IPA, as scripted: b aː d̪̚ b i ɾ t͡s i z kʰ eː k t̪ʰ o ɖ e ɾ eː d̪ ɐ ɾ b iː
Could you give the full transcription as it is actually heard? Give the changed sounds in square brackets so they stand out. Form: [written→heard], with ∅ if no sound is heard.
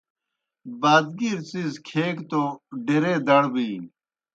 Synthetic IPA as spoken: b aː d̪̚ [b→ɡ] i ɾ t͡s i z kʰ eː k [t̪ʰ→t̪] o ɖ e ɾ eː d̪ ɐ [ɾ→ɽ] b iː